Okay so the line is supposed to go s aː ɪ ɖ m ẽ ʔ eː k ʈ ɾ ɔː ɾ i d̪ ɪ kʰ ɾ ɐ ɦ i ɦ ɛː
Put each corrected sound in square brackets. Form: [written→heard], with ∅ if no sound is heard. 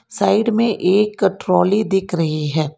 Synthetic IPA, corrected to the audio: s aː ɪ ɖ m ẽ ʔ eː k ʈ ɾ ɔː [ɾ→l] i d̪ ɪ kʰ ɾ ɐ ɦ i ɦ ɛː